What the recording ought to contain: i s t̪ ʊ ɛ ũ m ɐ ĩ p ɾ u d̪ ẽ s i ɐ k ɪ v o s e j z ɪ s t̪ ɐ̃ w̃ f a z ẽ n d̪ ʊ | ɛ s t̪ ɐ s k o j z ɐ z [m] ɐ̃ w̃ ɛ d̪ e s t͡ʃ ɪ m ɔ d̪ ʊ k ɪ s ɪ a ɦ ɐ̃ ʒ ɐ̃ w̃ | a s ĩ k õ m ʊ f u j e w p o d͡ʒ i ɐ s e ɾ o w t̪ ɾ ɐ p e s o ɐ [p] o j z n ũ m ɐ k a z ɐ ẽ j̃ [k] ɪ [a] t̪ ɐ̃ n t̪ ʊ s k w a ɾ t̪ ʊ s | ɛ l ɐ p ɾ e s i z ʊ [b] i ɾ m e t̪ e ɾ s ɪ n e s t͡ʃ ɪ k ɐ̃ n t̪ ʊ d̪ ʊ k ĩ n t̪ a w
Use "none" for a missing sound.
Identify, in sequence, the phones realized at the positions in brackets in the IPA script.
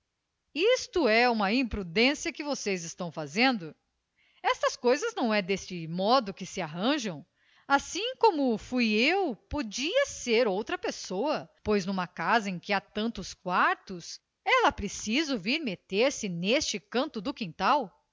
n, p, k, a, v

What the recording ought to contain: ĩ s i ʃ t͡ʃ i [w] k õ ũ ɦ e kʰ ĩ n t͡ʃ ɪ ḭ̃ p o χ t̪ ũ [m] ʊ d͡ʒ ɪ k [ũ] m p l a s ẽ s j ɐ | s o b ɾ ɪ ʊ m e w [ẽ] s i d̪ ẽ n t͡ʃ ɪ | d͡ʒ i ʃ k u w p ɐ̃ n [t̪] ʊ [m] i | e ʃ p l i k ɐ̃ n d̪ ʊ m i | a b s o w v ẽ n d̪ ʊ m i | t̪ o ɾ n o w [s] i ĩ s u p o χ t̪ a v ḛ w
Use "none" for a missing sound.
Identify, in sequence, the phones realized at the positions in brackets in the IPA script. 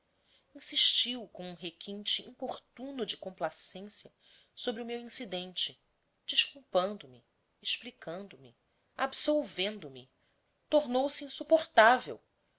w, n, õ, ĩ, d̪, m, s

